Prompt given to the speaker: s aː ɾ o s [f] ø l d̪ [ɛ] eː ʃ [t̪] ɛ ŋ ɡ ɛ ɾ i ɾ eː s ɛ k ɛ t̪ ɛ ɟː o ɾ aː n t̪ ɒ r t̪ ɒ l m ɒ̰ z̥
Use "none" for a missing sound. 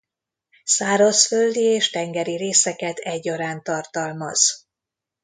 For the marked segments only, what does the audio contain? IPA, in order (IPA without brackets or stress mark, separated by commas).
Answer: f, i, t̪